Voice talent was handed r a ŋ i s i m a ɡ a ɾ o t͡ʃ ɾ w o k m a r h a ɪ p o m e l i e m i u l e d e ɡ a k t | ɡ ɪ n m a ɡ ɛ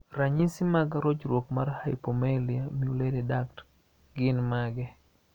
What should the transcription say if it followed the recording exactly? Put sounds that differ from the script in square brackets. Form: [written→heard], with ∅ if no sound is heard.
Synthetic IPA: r a [ŋ→ɲ] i s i m a ɡ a ɾ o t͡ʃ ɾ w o k m a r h a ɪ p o m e l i [e→a] m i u l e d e [ɡ→d] a k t | ɡ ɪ n m a ɡ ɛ